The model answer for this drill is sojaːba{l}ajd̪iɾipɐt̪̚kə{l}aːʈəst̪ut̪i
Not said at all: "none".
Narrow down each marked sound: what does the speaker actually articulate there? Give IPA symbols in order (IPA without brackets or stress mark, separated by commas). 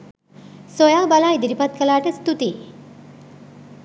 l, l